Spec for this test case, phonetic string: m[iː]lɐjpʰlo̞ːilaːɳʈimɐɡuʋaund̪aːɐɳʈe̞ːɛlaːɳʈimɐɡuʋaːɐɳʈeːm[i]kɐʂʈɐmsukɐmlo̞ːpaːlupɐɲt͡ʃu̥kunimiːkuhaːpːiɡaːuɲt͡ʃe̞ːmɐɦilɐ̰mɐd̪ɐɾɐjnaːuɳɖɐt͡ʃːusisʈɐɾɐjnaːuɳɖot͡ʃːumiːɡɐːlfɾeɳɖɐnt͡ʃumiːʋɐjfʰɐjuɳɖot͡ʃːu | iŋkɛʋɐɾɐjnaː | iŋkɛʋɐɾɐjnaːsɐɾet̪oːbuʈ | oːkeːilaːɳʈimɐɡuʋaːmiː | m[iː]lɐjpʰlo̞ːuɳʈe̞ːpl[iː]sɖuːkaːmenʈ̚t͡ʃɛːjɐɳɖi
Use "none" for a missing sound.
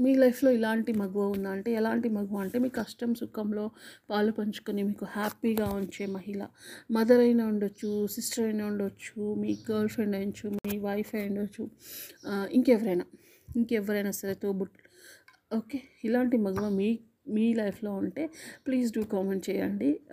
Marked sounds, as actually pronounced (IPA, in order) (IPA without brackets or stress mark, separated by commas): iː, iː, iː, iː